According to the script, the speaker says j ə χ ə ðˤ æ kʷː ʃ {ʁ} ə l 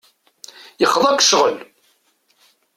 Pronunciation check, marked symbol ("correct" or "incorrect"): correct